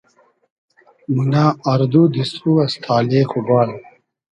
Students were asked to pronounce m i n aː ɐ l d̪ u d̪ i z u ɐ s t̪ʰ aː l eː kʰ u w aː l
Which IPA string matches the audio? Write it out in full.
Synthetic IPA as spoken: m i n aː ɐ ɾ d̪ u d̪ i s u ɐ s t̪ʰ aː l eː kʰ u b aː l

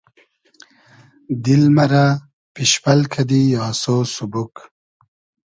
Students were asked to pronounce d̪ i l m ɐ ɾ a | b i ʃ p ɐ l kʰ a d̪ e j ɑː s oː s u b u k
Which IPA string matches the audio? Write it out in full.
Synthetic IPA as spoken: d̪ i l m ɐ ɾ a | p i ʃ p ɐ l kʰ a d̪ i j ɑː s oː s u b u k

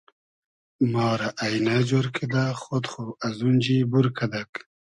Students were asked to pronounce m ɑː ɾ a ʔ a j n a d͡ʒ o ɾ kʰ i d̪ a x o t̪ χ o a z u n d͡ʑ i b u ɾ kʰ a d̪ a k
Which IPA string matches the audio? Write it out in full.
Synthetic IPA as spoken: m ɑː ɾ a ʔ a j n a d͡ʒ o ɾ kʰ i d̪ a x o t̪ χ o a z u n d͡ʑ i b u ɾ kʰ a d̪ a k

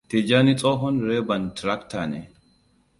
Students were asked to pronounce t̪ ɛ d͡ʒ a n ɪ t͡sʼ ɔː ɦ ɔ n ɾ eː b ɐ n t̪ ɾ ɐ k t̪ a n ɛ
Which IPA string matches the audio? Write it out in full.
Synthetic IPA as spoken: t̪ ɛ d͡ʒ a n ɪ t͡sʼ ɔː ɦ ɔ n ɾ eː b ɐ n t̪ ɾ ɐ k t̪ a n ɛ

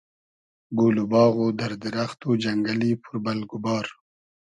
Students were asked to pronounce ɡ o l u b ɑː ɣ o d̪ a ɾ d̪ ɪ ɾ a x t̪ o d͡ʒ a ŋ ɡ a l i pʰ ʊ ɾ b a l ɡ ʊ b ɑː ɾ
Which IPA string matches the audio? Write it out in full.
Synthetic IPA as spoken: ɡ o l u b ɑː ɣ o d̪ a ɾ d̪ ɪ ɾ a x t̪ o d͡ʒ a ŋ ɡ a l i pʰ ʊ ɾ b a l ɡ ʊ b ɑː ɾ

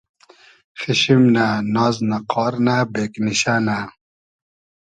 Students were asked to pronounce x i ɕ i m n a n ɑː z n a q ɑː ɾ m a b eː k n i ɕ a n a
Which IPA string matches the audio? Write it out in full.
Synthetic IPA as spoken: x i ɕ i m n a n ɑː z n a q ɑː ɾ n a b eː k n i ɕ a n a

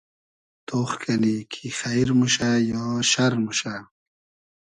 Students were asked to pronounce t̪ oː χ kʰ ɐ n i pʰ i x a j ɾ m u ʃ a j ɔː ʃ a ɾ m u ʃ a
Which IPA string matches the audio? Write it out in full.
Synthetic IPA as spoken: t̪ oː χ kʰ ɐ n i kʰ i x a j ɾ m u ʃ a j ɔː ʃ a ɾ m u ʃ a

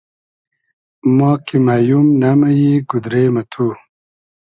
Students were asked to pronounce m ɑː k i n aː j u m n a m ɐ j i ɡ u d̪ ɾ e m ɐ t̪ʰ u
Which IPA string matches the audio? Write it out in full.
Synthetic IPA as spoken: m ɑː k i m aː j u m n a m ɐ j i ɡ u d̪ ɾ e m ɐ t̪ʰ u

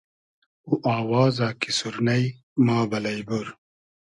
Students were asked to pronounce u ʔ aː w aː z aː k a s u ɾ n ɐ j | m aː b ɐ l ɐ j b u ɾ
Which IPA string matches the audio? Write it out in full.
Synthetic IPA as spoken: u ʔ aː w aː z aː k i s u ɾ n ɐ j | m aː b ɐ l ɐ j b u ɾ

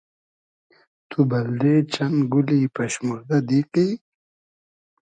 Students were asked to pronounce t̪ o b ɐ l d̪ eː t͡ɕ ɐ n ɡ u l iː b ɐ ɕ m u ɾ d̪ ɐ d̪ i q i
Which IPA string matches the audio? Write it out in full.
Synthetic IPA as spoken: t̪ u b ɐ l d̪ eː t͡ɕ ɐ n ɡ u l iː p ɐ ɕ m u ɾ d̪ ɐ d̪ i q i

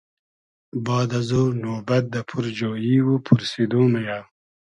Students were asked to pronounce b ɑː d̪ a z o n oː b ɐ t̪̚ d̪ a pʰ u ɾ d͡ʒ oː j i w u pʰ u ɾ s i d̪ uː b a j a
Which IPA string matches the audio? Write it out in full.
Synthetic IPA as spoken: b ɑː d̪ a z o n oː b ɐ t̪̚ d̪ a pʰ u ɾ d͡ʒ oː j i w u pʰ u ɾ s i d̪ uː m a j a

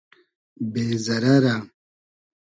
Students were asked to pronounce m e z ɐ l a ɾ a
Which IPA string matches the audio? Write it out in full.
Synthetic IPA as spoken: b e z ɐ ɾ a ɾ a

